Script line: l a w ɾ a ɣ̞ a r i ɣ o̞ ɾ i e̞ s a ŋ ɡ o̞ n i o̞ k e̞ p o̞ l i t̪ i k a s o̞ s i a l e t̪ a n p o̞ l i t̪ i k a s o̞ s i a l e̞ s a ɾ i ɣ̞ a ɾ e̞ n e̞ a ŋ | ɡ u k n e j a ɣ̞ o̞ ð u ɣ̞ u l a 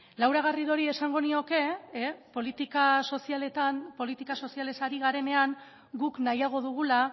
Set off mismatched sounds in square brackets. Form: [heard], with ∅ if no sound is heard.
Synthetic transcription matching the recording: l a w ɾ a ɣ̞ a r i [ð] o̞ ɾ i e̞ s a ŋ ɡ o̞ n i o̞ k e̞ p o̞ l i t̪ i k a s o̞ s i a l e t̪ a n p o̞ l i t̪ i k a s o̞ s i a l e̞ s a ɾ i ɣ̞ a ɾ e̞ n e̞ a ŋ | ɡ u k n [a] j a ɣ̞ o̞ ð u ɣ̞ u l a